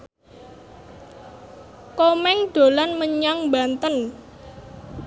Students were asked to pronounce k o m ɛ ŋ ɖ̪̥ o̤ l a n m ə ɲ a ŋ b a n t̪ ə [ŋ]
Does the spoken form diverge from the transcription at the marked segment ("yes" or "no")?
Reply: yes